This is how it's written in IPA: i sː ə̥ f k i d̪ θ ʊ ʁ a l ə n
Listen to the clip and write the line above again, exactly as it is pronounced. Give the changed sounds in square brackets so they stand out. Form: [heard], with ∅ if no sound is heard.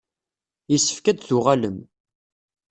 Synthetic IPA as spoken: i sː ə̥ f k [æ] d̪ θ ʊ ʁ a l ə [m]